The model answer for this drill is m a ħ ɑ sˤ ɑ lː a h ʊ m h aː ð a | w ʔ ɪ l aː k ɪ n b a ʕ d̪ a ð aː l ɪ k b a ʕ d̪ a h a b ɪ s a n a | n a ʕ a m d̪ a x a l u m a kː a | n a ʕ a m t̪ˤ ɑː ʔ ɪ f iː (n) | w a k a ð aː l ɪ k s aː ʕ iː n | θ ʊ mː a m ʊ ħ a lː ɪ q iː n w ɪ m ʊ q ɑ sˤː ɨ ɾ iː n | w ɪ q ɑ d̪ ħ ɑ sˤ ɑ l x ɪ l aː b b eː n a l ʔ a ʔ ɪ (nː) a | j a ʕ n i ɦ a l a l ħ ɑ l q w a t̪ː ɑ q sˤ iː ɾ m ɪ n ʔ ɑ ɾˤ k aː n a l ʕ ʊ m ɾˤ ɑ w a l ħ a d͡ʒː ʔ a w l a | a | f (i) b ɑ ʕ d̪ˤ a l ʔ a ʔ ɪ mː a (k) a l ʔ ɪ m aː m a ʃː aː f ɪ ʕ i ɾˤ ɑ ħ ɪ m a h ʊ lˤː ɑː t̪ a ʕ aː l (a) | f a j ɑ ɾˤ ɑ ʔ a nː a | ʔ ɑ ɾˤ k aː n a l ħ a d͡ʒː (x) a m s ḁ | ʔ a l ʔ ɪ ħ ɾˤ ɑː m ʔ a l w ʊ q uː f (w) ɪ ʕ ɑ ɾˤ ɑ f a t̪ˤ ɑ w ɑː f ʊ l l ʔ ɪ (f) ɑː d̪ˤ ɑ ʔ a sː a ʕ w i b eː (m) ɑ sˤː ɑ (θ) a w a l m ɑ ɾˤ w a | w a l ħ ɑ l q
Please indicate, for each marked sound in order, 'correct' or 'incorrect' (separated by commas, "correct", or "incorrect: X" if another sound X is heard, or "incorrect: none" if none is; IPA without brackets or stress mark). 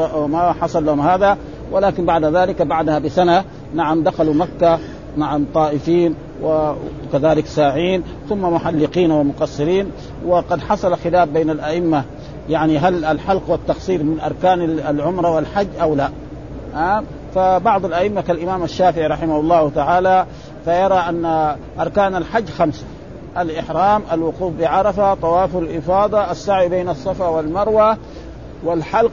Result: correct, incorrect: mː, incorrect: a, correct, correct, correct, incorrect: b, correct, incorrect: n, incorrect: f